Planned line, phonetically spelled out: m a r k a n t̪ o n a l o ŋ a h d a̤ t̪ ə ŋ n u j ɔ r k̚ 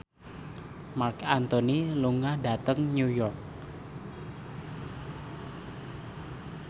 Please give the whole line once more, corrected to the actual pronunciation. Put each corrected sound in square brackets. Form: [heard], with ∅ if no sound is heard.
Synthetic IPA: m a r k a n t̪ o n [i] l [u] ŋ a h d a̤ t̪ ə ŋ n u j ɔ r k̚